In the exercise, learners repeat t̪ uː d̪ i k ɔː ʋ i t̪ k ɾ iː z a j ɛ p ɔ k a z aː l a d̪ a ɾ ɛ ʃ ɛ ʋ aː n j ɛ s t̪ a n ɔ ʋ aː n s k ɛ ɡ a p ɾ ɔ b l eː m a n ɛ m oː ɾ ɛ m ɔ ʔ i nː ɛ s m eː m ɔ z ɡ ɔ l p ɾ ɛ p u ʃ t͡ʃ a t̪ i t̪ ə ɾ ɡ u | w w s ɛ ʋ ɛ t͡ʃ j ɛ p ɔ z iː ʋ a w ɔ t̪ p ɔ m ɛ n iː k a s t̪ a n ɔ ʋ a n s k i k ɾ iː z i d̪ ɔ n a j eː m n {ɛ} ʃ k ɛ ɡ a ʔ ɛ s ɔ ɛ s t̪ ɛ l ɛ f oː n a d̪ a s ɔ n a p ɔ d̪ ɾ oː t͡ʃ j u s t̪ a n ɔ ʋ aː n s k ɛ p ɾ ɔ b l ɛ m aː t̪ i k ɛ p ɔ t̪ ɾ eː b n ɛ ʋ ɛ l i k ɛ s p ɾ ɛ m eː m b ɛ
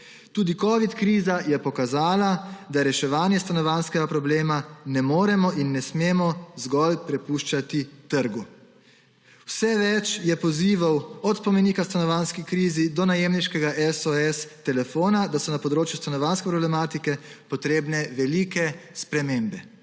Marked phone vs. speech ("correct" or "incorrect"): incorrect